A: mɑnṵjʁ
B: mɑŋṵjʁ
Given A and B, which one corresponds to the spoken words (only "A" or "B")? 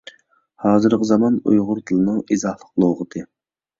A